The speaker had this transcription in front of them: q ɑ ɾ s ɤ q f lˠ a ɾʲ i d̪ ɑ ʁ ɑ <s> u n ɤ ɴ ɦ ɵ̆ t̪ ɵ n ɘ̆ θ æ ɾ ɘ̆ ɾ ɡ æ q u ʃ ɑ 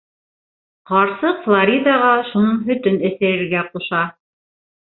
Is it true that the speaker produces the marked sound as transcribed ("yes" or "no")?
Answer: no